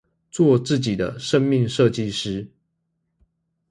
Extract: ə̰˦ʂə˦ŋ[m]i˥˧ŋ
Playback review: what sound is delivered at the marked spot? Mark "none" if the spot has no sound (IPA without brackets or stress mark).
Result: m